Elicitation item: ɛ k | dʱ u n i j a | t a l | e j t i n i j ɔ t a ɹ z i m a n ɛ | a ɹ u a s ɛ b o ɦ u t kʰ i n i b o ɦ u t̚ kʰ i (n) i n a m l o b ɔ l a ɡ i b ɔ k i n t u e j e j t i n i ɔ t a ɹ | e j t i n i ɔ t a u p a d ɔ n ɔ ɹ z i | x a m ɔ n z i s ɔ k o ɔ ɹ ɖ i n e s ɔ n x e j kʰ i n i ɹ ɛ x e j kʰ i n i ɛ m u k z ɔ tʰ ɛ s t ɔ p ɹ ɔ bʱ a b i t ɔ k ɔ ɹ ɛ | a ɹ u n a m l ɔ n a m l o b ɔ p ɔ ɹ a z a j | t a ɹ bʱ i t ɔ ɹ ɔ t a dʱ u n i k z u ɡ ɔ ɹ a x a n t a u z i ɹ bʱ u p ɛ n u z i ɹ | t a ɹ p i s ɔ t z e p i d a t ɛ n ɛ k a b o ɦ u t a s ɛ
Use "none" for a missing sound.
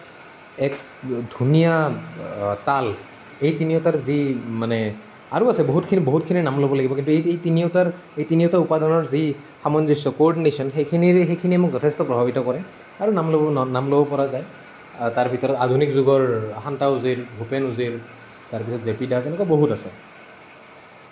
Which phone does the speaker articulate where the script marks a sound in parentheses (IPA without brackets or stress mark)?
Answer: n